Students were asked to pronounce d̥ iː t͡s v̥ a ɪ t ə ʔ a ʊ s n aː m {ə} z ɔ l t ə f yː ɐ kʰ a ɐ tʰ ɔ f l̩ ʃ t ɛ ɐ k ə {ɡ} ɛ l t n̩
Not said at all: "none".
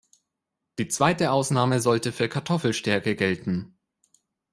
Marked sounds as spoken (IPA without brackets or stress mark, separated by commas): ə, ɡ